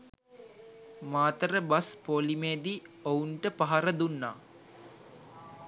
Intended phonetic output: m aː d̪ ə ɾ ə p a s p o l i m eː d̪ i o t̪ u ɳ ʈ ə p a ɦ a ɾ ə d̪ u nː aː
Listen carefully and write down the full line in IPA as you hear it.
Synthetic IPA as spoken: m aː t̪ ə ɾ ə b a s p o l i m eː d̪ i o u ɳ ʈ ə p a ɦ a ɾ ə d̪ u nː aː